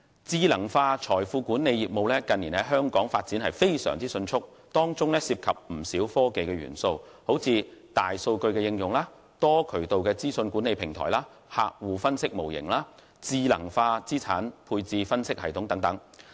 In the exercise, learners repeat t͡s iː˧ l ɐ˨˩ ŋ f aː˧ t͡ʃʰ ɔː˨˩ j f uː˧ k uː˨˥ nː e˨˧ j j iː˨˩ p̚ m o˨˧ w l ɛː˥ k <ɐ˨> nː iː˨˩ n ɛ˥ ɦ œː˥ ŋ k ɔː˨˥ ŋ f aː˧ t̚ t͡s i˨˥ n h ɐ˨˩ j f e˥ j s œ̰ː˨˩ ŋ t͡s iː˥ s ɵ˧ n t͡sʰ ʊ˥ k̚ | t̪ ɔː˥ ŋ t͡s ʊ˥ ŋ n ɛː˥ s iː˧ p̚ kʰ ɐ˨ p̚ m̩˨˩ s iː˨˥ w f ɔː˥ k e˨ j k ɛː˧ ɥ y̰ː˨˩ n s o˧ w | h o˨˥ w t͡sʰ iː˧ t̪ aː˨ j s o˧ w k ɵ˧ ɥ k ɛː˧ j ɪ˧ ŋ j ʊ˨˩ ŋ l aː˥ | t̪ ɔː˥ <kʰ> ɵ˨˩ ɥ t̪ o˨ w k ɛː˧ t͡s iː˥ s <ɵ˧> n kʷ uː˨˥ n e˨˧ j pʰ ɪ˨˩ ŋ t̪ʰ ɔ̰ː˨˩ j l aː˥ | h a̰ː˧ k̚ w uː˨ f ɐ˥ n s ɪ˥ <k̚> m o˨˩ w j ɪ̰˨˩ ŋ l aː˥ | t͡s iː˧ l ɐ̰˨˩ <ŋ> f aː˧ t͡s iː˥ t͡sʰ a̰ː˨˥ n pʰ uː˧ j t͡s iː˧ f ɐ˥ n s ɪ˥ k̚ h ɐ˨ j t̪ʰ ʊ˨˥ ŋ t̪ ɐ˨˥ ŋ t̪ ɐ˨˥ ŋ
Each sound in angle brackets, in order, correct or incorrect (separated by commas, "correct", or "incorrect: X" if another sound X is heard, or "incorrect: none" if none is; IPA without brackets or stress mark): correct, correct, correct, correct, correct